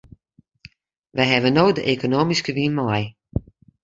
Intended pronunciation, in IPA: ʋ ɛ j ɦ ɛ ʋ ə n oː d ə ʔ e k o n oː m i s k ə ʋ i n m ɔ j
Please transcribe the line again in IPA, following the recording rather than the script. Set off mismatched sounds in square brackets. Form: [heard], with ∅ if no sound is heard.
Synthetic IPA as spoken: ʋ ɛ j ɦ ɛ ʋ ə n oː d ə ʔ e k o n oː m i s k ə ʋ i n m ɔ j